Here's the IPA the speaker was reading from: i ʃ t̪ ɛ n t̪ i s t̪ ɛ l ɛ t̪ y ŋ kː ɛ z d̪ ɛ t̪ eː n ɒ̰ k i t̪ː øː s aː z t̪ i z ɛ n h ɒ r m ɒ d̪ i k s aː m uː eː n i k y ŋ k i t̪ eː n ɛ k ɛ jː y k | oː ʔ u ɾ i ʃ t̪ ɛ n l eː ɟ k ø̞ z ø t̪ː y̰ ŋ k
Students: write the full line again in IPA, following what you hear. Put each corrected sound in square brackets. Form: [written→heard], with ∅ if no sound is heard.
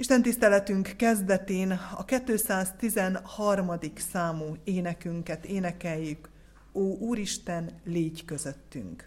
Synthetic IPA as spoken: i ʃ t̪ ɛ n t̪ i s t̪ ɛ l ɛ t̪ y ŋ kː ɛ z d̪ ɛ t̪ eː n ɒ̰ k [i→ɛ] t̪ː øː s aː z t̪ i z ɛ n h ɒ r m ɒ d̪ i k s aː m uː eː n [i→ɛ] k y ŋ k [i→ɛ] t̪ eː n ɛ k ɛ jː y k | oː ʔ [u→uː] ɾ i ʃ t̪ ɛ n l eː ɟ k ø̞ z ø t̪ː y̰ ŋ k